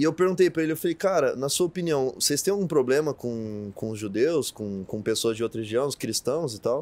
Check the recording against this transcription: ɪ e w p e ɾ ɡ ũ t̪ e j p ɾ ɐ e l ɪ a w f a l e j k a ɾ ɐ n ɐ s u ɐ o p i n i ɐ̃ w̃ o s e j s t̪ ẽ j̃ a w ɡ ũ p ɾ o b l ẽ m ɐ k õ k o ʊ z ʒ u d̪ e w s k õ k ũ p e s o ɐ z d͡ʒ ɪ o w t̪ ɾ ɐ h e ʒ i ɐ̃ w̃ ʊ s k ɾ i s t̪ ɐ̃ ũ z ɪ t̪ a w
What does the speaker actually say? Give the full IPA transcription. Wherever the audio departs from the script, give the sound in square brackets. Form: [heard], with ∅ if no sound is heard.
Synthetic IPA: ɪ e w p e ɾ ɡ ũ t̪ e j p ɾ ɐ e l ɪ [e] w f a l e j k a ɾ ɐ n ɐ s u ɐ o p i n i ɐ̃ w̃ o s e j s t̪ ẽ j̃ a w ɡ ũ p ɾ o b l ẽ m ɐ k õ k [õ] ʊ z ʒ u d̪ e w s k õ k [õ] p e s o ɐ z d͡ʒ ɪ o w t̪ ɾ ɐ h e ʒ i ɐ̃ w̃ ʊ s k ɾ i s t̪ ɐ̃ [w̃] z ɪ t̪ a w